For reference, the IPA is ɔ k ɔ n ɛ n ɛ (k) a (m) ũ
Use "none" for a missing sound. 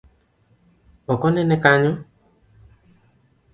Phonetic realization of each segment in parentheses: k, ɲ

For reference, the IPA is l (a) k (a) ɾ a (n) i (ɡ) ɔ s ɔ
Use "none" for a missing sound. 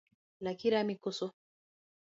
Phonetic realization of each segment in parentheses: a, i, m, k

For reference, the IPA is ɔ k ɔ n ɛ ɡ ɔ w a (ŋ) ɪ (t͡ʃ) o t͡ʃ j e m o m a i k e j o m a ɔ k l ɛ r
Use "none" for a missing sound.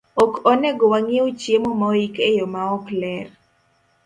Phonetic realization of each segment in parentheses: ŋ, none

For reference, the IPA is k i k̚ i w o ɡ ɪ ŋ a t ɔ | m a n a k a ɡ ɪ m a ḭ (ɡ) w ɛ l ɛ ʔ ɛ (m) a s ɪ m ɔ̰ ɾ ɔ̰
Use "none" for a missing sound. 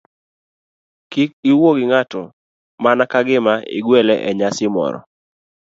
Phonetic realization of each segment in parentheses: ɡ, ɲ

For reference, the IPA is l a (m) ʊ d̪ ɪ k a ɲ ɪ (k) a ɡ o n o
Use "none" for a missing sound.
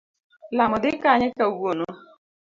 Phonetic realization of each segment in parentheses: m, k

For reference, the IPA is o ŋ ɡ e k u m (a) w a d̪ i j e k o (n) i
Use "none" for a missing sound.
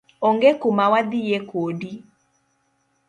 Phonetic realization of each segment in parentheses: a, d

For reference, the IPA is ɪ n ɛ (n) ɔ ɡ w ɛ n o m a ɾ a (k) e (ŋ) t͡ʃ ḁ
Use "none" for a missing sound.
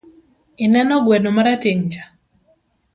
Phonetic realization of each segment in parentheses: n, t, ŋ

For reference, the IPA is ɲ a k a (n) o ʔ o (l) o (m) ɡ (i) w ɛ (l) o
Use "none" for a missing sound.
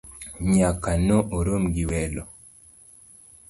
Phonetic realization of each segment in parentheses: n, ɾ, m, i, l

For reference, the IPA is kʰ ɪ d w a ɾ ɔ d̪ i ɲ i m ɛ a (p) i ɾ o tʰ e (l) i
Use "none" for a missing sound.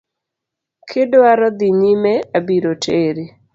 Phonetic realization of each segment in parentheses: b, ɾ

